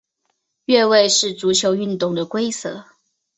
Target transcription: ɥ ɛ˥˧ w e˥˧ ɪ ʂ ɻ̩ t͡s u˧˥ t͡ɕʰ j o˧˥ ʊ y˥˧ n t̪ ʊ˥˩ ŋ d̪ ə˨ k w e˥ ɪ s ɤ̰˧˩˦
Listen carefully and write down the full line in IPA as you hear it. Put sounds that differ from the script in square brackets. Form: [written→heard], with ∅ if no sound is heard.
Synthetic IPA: ɥ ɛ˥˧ w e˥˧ ɪ ʂ ɻ̩ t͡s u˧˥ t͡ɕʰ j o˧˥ ʊ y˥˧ n t̪ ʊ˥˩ ŋ d̪ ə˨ k w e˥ ɪ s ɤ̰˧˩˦